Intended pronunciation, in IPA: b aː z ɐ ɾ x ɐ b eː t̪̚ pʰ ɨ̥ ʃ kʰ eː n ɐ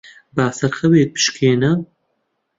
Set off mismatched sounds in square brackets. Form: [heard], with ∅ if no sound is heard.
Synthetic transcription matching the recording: b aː [s] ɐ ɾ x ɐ [w] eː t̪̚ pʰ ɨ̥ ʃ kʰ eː n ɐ